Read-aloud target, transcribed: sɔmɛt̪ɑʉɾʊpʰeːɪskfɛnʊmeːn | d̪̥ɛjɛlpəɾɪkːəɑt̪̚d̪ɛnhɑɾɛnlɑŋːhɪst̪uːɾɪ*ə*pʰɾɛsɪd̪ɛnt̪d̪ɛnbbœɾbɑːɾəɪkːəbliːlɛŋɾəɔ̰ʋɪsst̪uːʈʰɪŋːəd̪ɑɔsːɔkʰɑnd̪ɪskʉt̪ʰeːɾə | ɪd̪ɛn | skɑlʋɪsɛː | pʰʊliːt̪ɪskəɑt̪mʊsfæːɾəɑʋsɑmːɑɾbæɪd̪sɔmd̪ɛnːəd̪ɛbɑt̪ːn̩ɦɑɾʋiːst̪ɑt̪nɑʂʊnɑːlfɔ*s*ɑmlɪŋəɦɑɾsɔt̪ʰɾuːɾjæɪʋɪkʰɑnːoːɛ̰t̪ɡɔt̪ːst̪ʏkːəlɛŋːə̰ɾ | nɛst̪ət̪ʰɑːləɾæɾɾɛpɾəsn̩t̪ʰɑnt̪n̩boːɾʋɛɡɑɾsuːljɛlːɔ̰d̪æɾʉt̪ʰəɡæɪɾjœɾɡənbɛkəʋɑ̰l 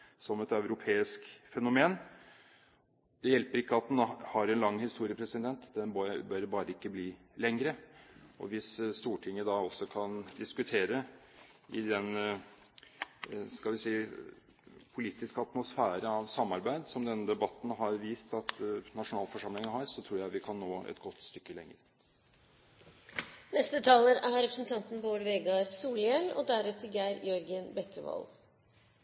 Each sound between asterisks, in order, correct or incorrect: correct, incorrect: ʂ

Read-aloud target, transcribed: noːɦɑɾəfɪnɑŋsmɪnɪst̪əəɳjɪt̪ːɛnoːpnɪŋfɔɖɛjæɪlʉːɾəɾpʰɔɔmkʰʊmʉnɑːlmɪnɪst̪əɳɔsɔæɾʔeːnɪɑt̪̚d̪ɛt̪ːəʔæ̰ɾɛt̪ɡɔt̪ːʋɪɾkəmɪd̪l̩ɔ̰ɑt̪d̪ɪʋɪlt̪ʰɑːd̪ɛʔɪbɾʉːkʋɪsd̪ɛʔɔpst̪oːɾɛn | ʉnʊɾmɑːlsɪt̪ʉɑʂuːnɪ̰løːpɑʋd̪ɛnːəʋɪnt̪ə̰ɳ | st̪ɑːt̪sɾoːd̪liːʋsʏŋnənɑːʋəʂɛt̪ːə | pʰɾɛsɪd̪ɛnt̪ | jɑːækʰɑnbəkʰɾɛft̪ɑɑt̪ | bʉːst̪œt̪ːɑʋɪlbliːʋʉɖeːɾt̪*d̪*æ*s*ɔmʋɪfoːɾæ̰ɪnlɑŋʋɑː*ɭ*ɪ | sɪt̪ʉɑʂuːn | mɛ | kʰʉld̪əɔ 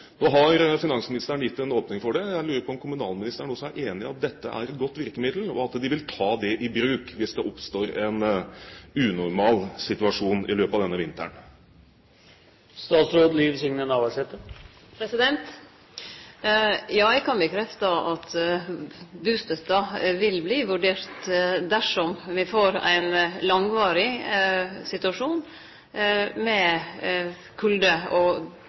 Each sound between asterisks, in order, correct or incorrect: correct, incorrect: ʂ, incorrect: ɾ

